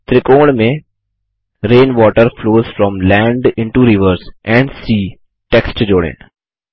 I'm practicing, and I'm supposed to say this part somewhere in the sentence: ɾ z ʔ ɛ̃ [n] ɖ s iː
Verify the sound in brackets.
incorrect: ɳ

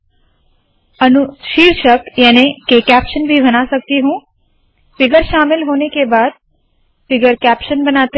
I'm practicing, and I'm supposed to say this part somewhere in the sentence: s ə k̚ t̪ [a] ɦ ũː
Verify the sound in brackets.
incorrect: i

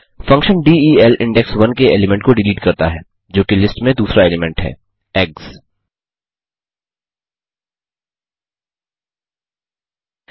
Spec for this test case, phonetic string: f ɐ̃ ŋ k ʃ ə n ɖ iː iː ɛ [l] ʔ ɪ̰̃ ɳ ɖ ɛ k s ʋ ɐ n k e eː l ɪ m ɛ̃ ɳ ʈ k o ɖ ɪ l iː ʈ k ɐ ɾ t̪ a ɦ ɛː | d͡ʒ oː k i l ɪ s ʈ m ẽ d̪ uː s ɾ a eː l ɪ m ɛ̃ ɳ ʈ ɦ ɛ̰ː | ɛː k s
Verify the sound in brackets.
correct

